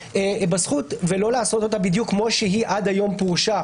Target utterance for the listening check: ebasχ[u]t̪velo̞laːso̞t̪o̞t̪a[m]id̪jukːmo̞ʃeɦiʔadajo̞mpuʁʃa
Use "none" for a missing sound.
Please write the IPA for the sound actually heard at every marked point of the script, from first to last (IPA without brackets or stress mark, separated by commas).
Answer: u, b